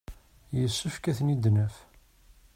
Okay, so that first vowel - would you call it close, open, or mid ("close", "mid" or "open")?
mid